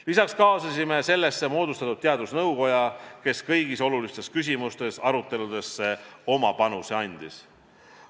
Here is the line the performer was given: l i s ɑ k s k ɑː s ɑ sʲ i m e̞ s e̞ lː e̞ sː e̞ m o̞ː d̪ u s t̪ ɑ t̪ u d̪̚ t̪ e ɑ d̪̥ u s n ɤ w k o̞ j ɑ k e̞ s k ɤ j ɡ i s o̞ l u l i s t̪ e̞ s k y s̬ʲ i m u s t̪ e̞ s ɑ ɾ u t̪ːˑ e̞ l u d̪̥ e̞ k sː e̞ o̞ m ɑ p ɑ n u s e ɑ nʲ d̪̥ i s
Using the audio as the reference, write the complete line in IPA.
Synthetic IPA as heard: l i s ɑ k s k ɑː s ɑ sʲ i m e̞ s e̞ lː e̞ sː e̞ m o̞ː d̪ u s t̪ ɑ t̪ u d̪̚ t̪ e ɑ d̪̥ u s n ɤ w k o̞ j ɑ k e̞ s k ɤ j ɡ i s o̞ l u l i s t̪ e̞ s k y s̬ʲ i m u s t̪ e̞ s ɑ ɾ u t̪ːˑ e̞ l u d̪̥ e̞ sː e̞ o̞ m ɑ p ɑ n u s e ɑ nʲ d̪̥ i s

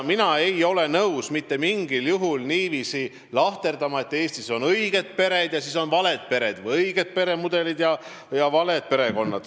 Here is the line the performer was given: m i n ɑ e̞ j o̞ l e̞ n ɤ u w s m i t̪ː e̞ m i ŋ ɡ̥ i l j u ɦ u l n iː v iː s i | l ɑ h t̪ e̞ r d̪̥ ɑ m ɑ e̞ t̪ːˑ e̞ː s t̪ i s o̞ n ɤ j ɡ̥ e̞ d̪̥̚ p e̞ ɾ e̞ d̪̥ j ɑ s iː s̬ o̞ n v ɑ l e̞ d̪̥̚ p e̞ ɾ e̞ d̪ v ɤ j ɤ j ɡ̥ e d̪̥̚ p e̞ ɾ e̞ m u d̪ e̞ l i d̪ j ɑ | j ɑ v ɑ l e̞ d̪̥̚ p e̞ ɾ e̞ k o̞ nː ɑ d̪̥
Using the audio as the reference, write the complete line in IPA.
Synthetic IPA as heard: m i n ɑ e̞ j o̞ l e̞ n ɤ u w s m i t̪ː e̞ m i ŋ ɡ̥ i l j u ɦ u l n iː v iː s i | l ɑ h t̪ e̞ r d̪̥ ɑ m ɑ e̞ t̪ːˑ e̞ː s t̪ i s o̞ n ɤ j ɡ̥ e̞ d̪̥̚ p e̞ ɾ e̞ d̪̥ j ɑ s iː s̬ o̞ n v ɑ l e̞ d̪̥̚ p e̞ ɾ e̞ d̪ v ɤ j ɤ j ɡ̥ e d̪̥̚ p e̞ ɾ e̞ m u d̪ e̞ l i d̪ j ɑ | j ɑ v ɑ l e̞ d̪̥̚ p e̞ ɾ e̞ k o̞ nː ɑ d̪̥

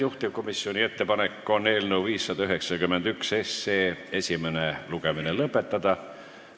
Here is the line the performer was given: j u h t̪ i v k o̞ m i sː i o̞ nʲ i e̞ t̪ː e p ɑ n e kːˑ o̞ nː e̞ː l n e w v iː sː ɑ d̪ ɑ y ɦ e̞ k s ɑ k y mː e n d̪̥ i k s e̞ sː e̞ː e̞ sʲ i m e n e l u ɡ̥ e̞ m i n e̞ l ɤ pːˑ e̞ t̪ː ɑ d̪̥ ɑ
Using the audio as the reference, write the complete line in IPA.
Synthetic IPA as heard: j u h t̪ i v k o̞ m i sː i o̞ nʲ i e̞ t̪ː e p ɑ n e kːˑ o̞ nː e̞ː l n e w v iː sː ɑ d̪ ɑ y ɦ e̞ k s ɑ k y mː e n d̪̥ y k s e̞ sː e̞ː e̞ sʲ i m e n e l u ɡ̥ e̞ m i n e̞ l ɤ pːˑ e̞ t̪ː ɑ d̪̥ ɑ

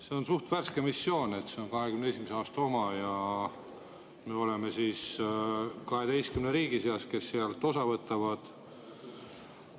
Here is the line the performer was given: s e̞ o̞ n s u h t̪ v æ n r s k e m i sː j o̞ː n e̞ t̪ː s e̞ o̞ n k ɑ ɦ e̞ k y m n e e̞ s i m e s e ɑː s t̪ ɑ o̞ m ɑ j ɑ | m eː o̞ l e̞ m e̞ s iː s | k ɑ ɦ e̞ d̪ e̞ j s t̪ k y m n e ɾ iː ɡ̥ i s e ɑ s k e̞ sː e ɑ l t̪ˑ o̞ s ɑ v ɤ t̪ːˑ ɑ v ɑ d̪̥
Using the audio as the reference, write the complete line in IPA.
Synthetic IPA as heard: s e̞ o̞ n s u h t̪ v æ r s k e m i sː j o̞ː n e̞ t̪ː s e̞ o̞ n k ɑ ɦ e̞ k y m n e e̞ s i m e s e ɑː s t̪ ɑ o̞ m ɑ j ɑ | m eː o̞ l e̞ m e̞ s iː s | k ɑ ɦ e̞ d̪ e̞ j s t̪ k y m n e ɾ iː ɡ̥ i s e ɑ s k e̞ sː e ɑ l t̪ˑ o̞ s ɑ v ɤ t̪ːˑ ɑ v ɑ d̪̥

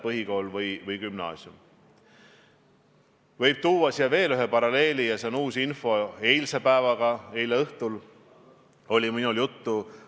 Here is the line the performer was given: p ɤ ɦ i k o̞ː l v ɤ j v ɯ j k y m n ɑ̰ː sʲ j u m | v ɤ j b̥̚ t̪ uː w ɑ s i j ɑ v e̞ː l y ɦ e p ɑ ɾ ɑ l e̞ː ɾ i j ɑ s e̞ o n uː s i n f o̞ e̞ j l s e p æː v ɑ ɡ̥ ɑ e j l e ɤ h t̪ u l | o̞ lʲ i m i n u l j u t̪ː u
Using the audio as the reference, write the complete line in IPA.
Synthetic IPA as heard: p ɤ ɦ i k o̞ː l v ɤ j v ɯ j k y m n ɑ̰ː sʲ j u m | v ɤ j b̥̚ t̪ uː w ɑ s i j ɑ v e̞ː l y ɦ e p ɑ ɾ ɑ l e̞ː l i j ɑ s e̞ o n uː s i n f o̞ e̞ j l s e p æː v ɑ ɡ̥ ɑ e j l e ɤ h t̪ u l | o̞ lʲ i m i n u l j u t̪ː u

